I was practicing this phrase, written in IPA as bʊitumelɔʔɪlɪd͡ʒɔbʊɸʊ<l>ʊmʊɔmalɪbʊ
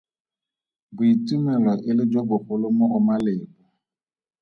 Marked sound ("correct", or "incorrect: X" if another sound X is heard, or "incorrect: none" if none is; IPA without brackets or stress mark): correct